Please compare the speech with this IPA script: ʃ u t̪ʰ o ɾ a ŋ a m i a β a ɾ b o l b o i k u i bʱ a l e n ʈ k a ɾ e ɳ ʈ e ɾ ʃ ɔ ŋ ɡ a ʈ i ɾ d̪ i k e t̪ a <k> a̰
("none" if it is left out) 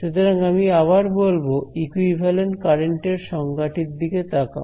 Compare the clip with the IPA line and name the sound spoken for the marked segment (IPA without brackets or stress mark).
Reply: k